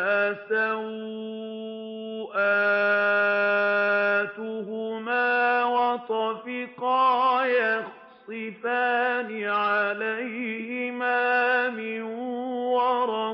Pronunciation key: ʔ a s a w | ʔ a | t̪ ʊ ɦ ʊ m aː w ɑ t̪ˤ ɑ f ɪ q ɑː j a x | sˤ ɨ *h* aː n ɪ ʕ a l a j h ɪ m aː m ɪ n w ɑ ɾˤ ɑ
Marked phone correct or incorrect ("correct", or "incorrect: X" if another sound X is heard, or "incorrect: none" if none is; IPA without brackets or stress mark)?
incorrect: f